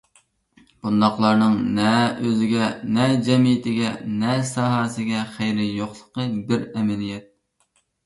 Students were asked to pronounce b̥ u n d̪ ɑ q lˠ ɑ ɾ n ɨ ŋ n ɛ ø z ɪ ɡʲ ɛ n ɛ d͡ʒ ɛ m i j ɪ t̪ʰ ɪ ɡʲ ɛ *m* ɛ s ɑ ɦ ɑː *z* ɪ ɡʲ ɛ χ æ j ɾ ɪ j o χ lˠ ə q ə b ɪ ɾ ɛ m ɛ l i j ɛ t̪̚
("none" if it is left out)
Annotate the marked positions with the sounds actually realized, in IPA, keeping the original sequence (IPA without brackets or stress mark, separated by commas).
n, s